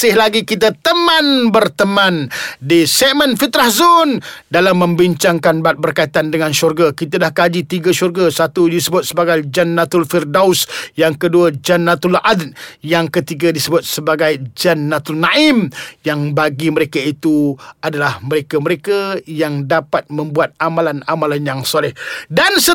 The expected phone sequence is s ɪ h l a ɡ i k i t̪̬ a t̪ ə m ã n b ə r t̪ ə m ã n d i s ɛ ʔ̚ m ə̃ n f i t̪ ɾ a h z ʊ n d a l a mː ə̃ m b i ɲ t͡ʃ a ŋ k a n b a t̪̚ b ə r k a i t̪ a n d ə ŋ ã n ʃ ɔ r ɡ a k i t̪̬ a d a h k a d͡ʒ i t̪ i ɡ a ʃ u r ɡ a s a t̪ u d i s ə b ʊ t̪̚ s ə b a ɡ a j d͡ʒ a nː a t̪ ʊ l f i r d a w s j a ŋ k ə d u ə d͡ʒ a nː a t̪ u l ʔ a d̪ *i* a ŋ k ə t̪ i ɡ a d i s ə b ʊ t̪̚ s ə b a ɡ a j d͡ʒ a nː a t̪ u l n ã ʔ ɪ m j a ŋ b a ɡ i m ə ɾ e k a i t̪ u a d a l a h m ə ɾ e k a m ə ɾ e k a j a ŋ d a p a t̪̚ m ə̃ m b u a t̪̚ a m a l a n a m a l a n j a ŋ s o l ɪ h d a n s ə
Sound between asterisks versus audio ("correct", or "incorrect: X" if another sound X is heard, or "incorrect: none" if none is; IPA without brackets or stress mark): incorrect: j